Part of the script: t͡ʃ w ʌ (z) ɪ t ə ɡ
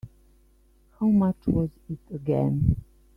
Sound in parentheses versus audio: correct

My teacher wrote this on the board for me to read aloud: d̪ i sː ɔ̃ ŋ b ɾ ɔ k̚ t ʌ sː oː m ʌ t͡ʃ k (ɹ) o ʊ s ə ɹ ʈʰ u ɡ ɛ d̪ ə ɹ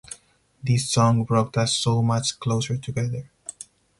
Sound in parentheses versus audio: incorrect: l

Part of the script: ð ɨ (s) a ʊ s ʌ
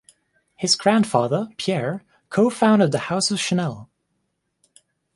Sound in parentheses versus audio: incorrect: h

